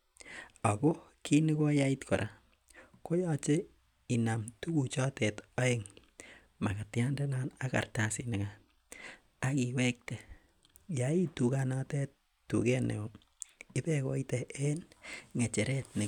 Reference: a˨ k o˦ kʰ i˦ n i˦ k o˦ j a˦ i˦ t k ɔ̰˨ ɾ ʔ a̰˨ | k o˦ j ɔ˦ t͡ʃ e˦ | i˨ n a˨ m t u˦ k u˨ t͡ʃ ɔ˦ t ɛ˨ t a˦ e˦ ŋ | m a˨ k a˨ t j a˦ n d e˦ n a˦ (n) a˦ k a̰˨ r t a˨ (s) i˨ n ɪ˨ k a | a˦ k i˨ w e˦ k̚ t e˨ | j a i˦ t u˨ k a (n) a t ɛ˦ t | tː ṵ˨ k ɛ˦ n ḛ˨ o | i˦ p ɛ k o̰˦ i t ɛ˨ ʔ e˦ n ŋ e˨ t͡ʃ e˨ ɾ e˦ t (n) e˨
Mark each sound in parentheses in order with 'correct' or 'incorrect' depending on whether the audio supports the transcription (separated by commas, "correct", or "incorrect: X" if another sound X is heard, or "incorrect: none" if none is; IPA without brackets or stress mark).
correct, correct, correct, correct